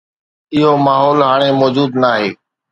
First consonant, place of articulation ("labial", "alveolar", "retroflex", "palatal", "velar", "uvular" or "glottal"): glottal